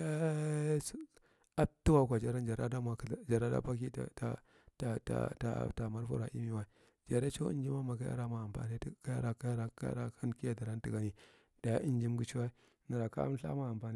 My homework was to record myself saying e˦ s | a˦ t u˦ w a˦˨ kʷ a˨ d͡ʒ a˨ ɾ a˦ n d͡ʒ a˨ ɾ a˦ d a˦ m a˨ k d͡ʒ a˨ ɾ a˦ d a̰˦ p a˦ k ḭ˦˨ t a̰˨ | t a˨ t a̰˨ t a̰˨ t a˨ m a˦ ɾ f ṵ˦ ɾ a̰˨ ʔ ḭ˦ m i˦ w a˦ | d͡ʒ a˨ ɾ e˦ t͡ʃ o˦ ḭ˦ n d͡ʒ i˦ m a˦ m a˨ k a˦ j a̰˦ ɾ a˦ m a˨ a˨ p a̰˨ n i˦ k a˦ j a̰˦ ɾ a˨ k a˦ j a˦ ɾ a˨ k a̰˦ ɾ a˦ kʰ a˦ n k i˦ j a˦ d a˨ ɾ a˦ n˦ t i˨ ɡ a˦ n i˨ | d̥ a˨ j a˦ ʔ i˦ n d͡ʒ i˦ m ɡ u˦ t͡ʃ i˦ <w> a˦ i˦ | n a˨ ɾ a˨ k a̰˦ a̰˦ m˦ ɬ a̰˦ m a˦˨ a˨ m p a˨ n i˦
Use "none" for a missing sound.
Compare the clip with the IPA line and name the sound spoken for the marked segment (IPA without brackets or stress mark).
w